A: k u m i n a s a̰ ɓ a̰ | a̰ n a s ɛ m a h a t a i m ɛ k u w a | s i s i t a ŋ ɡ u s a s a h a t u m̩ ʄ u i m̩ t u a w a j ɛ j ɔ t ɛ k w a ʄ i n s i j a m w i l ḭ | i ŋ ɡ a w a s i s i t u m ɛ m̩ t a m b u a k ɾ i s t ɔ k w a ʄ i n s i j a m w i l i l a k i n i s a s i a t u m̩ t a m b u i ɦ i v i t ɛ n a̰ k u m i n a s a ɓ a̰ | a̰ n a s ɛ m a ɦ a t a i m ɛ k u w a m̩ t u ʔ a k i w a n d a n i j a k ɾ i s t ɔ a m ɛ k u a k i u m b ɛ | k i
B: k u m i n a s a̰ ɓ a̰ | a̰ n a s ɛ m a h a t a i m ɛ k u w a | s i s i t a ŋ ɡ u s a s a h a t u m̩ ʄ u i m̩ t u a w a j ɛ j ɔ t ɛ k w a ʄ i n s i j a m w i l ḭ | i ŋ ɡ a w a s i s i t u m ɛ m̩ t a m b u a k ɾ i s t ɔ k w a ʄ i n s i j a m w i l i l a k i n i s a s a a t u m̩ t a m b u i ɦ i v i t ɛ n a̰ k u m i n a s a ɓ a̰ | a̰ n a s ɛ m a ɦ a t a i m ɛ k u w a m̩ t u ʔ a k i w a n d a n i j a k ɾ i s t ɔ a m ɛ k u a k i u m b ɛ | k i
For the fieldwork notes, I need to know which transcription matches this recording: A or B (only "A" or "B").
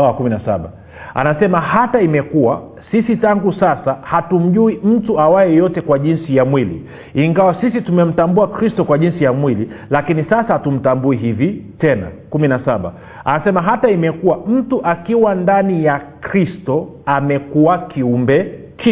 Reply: B